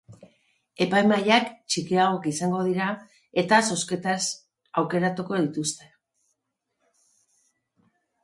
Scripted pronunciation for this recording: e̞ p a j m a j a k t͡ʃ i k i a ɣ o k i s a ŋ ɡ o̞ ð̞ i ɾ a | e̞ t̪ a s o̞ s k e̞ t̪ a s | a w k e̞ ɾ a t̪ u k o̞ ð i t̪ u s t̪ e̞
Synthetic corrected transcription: e̞ p a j m a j a k t͡ʃ i k i a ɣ o k i s a ŋ ɡ o̞ ð̞ i ɾ a | e̞ t̪ a s o̞ s k e̞ t̪ a s | a w k e̞ ɾ a t̪ u k o̞ ð i t̪ u s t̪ e̞